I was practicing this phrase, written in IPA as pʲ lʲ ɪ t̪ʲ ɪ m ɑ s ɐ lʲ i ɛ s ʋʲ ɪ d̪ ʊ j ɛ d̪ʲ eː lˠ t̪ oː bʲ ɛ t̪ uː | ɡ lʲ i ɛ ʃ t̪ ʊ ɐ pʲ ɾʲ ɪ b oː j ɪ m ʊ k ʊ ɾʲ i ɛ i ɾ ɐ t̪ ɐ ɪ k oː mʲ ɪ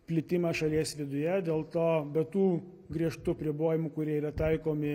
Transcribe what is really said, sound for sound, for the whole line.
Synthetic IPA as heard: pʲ lʲ ɪ t̪ʲ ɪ m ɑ ʃ ɐ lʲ i ɛ s ʋʲ ɪ d̪ ʊ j ɛ d̪ʲ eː lˠ t̪ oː bʲ ɛ t̪ uː | ɡ ɾʲ i ɛ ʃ t̪ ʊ ɐ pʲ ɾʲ ɪ b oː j ɪ m ʊ k ʊ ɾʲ i ɛ i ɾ ɐ t̪ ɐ ɪ k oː mʲ ɪ